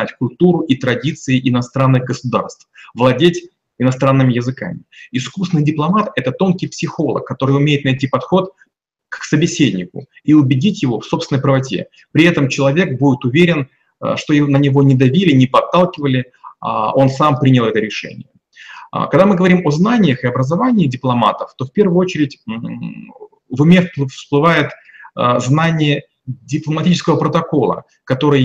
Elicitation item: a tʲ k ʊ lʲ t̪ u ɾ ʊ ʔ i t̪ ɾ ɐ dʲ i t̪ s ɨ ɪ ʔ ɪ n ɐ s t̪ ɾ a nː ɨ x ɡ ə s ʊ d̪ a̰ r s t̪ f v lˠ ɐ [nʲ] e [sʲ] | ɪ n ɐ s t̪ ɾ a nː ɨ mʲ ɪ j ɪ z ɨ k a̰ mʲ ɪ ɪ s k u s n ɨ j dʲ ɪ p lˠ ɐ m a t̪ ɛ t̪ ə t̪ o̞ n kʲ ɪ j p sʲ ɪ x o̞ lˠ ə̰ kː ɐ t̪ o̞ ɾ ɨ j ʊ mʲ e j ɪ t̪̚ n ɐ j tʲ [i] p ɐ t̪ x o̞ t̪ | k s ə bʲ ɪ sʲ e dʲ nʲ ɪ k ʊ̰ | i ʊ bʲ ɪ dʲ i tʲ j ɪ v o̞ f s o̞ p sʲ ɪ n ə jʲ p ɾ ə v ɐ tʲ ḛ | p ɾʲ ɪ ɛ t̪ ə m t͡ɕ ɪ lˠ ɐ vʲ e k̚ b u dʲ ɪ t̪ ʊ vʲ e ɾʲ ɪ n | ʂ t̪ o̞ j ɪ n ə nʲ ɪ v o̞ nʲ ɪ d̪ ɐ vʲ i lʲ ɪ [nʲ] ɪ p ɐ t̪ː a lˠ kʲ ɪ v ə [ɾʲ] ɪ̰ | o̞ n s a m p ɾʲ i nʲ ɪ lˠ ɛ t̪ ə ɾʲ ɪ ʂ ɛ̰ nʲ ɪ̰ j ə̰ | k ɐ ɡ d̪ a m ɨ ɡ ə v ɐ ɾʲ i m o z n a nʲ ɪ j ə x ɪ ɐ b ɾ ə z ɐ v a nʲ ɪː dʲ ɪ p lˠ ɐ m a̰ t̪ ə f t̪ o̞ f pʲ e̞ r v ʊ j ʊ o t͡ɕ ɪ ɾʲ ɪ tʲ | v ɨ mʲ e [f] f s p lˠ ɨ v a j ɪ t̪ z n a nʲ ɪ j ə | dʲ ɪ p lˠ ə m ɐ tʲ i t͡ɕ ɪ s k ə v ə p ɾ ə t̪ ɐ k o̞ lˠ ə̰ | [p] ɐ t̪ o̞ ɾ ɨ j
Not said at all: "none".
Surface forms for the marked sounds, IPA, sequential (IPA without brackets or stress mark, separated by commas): dʲ, tʲ, i, nʲ, lʲ, f, k